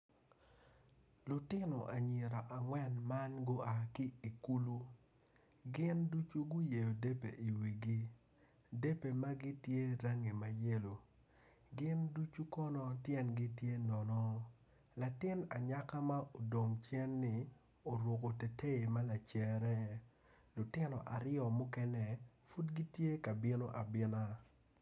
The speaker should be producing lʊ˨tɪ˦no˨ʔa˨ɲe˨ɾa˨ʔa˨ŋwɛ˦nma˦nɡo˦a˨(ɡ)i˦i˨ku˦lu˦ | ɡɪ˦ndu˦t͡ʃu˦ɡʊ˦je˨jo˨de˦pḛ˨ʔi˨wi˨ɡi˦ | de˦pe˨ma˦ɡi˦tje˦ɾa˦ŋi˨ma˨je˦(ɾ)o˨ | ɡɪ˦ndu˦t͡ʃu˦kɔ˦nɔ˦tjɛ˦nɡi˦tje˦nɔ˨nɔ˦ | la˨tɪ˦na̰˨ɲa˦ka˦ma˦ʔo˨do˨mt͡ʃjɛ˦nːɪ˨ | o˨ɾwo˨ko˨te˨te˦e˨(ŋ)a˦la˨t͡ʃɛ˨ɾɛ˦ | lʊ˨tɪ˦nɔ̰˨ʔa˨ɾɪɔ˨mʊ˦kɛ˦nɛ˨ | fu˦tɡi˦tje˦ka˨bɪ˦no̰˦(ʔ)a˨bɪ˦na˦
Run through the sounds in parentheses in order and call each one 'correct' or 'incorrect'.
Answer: incorrect, incorrect, incorrect, correct

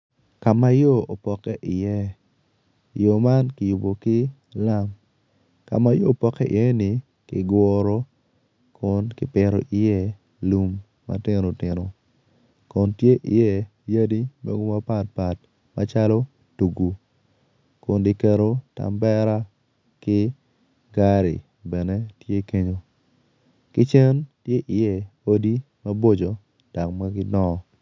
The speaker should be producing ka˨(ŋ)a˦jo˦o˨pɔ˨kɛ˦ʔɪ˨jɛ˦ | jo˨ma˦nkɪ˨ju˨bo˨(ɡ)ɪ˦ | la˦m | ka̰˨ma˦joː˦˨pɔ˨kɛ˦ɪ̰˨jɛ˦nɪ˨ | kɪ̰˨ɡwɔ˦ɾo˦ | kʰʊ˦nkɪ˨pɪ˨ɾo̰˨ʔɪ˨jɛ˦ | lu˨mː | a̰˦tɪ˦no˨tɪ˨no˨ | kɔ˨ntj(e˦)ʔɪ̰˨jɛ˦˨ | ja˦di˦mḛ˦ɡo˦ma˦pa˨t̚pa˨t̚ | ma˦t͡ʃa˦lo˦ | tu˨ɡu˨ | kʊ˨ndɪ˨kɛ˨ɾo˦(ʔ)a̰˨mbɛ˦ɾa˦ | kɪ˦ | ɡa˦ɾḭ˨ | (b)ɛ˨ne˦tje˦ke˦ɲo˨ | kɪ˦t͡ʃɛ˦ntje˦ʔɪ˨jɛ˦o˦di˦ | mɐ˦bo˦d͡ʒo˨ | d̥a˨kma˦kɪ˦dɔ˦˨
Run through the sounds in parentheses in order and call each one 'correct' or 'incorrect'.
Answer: incorrect, incorrect, correct, incorrect, correct

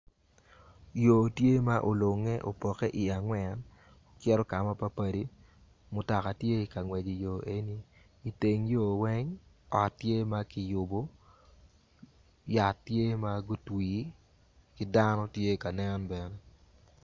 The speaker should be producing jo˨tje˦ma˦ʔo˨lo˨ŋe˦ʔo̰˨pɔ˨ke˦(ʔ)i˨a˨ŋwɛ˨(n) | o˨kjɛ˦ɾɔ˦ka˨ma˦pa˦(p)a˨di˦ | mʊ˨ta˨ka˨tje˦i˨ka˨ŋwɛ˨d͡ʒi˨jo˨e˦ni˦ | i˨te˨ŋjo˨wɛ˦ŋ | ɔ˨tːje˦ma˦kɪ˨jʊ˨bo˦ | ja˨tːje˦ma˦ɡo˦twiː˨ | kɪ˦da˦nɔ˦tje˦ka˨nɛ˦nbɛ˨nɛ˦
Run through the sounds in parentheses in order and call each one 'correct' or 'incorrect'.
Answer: correct, correct, correct

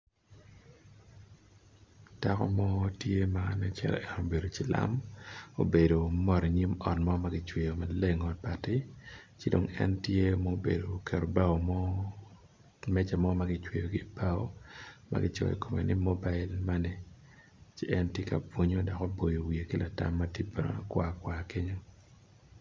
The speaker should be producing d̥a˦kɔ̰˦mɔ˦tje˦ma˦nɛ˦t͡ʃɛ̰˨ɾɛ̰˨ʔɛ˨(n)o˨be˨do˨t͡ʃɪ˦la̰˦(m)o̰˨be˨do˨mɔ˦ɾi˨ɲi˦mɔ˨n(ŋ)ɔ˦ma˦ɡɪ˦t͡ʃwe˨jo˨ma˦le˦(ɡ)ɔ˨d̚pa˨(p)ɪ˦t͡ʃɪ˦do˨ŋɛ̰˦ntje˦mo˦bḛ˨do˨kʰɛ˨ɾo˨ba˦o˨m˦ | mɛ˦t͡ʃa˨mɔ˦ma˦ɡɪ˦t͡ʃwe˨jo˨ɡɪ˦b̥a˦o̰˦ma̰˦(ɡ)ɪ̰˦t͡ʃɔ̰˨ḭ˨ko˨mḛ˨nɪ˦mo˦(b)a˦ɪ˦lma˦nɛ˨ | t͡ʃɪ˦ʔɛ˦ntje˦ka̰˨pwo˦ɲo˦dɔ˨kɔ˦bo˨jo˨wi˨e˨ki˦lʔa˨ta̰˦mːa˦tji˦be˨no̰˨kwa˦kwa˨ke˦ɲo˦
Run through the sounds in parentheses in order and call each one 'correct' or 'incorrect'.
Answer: correct, correct, incorrect, incorrect, incorrect, correct, correct

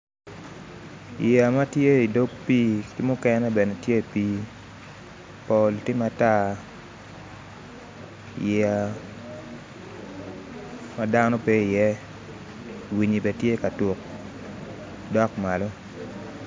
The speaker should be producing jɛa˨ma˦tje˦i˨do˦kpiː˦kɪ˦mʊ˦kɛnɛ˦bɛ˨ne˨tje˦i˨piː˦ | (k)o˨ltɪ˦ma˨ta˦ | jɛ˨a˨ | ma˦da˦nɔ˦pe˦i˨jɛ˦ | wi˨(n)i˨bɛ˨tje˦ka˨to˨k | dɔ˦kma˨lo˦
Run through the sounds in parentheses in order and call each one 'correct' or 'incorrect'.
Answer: incorrect, incorrect

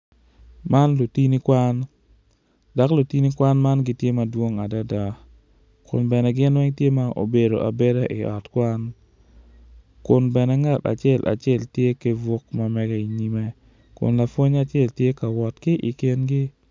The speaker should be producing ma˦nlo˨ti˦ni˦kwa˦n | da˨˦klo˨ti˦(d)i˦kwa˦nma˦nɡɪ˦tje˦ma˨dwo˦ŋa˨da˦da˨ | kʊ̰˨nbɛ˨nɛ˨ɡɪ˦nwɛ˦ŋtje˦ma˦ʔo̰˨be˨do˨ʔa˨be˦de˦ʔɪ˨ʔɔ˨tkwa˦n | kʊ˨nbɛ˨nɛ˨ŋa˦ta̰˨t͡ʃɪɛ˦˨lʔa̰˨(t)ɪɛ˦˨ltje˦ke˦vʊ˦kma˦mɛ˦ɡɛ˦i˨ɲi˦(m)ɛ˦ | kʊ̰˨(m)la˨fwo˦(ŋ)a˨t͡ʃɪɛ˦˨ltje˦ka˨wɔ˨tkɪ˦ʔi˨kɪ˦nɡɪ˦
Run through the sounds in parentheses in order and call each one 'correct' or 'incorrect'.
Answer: incorrect, incorrect, correct, incorrect, incorrect

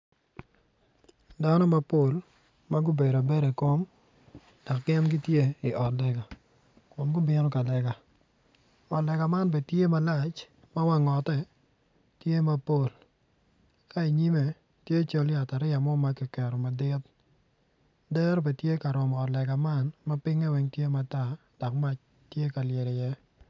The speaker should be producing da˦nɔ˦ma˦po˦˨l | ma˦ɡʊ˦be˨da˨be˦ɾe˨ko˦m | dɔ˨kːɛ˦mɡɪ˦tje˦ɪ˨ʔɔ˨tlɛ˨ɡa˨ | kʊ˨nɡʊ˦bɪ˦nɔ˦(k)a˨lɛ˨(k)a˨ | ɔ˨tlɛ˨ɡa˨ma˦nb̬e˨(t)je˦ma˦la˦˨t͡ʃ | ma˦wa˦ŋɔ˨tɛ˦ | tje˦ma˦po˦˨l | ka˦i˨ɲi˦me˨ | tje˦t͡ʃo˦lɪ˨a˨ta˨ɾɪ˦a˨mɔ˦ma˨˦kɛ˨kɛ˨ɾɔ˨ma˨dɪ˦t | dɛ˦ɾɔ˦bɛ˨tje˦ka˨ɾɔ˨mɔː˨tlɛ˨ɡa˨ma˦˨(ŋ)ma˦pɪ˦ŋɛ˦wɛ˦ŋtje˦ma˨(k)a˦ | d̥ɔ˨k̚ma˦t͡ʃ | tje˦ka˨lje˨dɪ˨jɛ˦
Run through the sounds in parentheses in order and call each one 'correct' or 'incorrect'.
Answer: correct, incorrect, correct, incorrect, incorrect

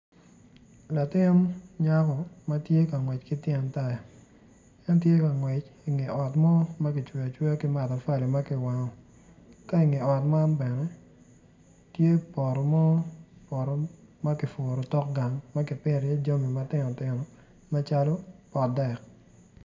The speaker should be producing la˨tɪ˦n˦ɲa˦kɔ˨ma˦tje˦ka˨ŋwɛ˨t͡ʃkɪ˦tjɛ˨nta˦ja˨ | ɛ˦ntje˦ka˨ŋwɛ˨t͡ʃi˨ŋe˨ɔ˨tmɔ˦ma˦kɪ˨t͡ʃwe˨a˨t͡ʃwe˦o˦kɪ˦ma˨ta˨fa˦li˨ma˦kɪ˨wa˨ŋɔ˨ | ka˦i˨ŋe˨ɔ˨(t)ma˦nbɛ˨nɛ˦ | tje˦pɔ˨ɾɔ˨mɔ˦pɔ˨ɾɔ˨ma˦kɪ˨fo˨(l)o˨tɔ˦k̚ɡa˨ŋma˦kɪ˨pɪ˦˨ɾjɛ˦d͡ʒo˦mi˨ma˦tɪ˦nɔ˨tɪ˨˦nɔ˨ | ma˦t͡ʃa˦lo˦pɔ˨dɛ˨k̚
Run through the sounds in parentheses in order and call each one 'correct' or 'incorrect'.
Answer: correct, incorrect

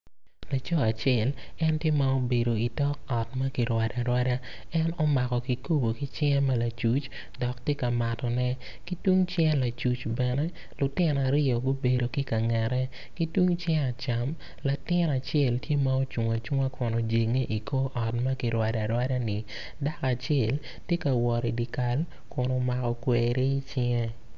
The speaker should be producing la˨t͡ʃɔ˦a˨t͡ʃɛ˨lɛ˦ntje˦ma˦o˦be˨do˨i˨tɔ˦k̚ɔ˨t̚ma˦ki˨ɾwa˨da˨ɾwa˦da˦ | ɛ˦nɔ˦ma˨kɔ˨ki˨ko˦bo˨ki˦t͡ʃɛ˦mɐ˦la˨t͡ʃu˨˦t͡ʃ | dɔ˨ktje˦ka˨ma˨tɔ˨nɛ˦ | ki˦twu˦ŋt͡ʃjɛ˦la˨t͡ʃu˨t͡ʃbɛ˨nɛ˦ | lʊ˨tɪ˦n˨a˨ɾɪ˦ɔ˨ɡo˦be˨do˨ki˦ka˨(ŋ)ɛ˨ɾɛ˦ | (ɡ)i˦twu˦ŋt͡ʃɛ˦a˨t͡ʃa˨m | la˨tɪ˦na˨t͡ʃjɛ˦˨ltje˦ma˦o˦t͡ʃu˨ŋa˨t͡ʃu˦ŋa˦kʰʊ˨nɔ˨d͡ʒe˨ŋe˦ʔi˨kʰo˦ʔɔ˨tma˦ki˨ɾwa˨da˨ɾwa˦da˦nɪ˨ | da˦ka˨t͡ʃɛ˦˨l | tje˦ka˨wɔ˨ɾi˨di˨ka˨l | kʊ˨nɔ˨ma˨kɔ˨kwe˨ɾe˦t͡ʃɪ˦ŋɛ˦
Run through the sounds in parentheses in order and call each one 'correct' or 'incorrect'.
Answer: correct, incorrect

